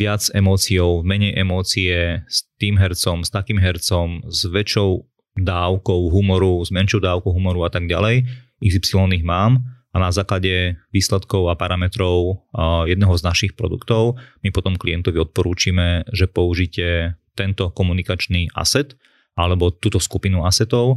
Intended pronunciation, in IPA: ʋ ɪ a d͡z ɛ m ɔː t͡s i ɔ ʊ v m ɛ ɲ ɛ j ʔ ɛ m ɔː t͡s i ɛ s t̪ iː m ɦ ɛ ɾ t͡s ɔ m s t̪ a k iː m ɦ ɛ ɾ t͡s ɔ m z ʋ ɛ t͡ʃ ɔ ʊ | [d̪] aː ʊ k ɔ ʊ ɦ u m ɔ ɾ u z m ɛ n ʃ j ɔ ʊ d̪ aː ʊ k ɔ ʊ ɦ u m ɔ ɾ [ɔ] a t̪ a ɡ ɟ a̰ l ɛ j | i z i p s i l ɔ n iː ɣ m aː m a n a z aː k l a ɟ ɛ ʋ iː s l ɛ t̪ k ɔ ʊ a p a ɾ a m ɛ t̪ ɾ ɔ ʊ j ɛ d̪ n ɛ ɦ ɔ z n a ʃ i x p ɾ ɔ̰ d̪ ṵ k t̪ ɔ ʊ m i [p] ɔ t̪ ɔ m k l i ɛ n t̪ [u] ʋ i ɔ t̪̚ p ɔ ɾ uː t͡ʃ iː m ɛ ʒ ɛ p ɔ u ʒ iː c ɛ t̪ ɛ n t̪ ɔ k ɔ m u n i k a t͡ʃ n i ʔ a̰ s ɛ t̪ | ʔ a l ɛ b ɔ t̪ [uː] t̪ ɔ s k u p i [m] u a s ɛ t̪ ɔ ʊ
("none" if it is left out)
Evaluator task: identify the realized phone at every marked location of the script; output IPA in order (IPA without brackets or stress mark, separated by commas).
d̪, u, p, ɔ, uː, n